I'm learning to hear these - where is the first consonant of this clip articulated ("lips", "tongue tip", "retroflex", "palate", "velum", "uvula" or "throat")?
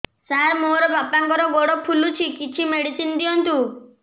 tongue tip